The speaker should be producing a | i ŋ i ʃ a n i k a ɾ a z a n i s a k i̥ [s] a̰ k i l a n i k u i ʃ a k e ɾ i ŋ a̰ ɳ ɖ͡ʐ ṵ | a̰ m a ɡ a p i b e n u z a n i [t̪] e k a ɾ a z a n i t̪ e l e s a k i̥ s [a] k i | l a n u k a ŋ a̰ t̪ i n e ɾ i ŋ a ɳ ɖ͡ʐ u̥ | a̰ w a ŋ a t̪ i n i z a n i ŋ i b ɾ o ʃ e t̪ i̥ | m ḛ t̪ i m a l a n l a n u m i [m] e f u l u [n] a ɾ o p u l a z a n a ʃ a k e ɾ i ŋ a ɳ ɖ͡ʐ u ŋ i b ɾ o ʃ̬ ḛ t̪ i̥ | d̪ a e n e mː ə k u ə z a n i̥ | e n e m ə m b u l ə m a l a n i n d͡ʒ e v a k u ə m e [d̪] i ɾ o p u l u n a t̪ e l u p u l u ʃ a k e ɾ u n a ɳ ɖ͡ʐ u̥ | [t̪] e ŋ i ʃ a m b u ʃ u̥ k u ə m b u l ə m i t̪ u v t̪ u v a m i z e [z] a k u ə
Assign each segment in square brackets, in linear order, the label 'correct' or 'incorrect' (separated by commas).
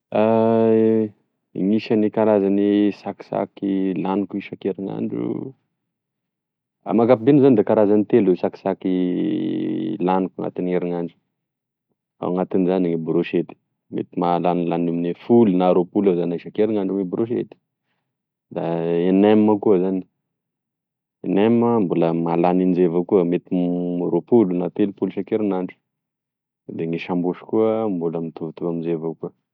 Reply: correct, incorrect, correct, incorrect, correct, incorrect, incorrect, incorrect